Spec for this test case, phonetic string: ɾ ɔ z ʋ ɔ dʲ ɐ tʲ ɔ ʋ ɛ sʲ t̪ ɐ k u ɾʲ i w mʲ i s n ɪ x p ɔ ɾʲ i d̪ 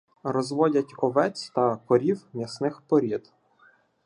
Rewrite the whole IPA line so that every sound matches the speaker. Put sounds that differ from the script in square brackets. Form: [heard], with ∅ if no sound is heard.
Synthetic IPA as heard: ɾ ɔ z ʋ ɔ dʲ ɐ tʲ ɔ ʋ ɛ [t͡sʲ] t̪ ɐ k [ɔ] ɾʲ i w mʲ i s n ɪ x p ɔ ɾʲ i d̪

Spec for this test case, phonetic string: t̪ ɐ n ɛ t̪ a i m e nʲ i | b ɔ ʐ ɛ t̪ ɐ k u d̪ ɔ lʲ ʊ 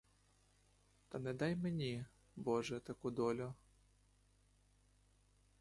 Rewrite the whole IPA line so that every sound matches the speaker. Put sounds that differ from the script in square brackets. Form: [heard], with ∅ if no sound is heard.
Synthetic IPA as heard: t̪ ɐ n ɛ [d̪] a [j] m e nʲ i | b ɔ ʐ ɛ t̪ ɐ k u d̪ ɔ lʲ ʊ

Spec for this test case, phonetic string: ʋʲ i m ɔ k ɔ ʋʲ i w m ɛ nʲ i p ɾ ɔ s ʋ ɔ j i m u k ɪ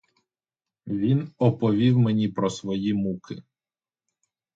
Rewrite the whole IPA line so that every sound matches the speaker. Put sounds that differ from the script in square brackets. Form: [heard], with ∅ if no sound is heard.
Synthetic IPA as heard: ʋʲ i [n] ɔ [p] ɔ ʋʲ i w m [e] nʲ i p ɾ ɔ s ʋ ɔ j i m u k ɪ

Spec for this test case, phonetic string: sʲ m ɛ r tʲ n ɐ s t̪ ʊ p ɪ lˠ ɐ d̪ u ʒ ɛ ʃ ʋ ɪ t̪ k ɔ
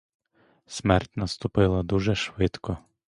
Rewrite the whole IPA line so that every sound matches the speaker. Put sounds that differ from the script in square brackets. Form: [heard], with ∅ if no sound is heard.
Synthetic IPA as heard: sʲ m ɛ r tʲ n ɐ s t̪ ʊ p ɪ lˠ ɐ d̪ u ʒ ɛ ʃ ʋ ɪ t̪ k ɔ

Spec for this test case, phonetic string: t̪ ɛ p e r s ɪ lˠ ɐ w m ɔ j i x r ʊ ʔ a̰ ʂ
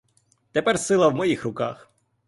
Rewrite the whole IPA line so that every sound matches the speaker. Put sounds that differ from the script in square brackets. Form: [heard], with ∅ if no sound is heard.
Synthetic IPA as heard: t̪ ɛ p [ɛ] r s ɪ lˠ ɐ w m ɔ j i x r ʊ [k] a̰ [x]

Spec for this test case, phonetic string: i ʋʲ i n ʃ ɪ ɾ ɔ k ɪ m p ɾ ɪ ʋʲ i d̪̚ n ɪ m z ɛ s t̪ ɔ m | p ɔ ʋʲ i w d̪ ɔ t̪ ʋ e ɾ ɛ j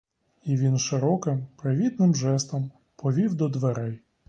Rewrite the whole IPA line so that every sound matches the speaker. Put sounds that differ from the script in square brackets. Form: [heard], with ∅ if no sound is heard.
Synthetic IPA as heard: i ʋʲ i n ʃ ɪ ɾ ɔ k ɪ m p ɾ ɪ ʋʲ i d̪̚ n ɪ m [ʒ] ɛ s t̪ ɔ m | p ɔ ʋʲ i w d̪ ɔ [d̪] ʋ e ɾ ɛ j

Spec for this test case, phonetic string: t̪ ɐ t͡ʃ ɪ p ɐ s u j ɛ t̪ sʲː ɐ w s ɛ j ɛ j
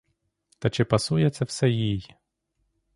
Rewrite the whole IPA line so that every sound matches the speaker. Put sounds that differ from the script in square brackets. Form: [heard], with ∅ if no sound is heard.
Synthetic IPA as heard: t̪ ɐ t͡ʃ ɪ p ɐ s u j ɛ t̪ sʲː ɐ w s ɛ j [i] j

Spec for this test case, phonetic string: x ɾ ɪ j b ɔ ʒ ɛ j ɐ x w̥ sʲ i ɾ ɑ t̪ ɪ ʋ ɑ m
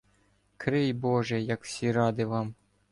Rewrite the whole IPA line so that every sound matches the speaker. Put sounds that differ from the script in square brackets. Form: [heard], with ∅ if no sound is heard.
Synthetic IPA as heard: [k] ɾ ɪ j b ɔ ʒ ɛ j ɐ [k] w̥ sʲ i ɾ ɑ [d̪] ɪ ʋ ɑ m

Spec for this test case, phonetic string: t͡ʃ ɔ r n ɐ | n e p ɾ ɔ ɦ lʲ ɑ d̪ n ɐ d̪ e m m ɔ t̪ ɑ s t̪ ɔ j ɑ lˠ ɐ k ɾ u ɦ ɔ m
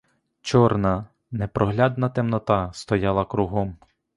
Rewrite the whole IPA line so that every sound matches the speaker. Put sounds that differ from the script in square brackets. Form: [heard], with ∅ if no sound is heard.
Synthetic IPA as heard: t͡ʃ ɔ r n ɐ | n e p ɾ ɔ ɦ lʲ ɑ d̪ n ɐ [t̪] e m [n] ɔ t̪ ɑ s t̪ ɔ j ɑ lˠ ɐ k ɾ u ɦ ɔ m

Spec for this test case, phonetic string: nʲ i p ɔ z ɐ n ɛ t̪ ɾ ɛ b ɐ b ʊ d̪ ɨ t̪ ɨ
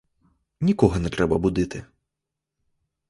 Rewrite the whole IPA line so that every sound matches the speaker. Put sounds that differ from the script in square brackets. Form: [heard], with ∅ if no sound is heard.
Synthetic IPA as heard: nʲ i [k] ɔ [ɣ] ɐ n ɛ t̪ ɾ ɛ b ɐ b [u] d̪ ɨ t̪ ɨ

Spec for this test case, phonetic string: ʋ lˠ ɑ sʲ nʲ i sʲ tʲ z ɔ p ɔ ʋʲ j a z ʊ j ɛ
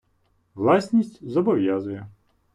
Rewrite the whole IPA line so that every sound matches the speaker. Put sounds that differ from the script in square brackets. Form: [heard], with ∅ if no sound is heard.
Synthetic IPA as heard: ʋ lˠ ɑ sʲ nʲ i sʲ tʲ z ɔ [b] ɔ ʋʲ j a z ʊ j ɛ

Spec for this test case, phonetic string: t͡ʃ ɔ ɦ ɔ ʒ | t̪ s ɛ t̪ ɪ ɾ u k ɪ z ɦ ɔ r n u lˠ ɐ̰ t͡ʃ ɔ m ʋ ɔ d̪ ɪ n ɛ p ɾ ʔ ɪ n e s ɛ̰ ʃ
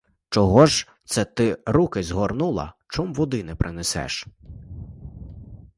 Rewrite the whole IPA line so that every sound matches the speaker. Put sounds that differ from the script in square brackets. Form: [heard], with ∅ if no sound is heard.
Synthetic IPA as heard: t͡ʃ ɔ ɦ ɔ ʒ | t̪ s ɛ t̪ ɪ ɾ u k ɪ z ɦ ɔ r n u lˠ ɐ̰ t͡ʃ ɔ m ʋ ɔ d̪ ɪ n ɛ p ɾ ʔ ɪ n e s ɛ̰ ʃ

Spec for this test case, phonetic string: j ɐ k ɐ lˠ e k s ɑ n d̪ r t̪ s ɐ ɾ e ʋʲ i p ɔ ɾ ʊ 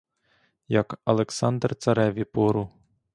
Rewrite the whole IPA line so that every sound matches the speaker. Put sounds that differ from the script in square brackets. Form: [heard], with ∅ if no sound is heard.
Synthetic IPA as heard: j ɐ k ɐ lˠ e k s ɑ n d̪ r t̪ s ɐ ɾ [ɛ] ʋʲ i p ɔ ɾ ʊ

